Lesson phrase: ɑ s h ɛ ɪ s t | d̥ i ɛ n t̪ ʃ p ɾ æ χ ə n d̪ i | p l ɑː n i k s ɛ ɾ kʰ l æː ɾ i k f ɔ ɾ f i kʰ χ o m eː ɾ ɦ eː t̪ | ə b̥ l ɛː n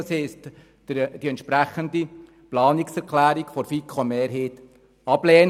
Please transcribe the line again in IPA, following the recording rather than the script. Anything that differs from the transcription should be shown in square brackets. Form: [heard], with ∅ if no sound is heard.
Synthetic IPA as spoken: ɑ s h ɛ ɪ s t | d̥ i ɛ n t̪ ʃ p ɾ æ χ ə n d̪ i | p l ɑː n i k s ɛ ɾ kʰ l æː ɾ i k f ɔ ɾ f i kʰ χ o m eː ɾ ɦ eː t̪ | [ɑ] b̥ l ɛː n